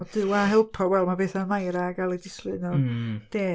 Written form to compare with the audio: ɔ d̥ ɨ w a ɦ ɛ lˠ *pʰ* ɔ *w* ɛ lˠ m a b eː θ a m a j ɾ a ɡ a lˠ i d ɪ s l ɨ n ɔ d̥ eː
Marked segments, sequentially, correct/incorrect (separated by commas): correct, correct